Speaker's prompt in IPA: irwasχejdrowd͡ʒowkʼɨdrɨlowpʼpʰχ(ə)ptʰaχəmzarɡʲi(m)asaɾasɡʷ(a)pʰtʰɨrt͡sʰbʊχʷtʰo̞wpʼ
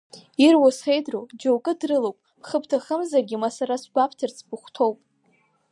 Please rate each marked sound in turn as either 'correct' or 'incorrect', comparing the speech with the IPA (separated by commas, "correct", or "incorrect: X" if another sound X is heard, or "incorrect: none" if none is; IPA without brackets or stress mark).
correct, correct, correct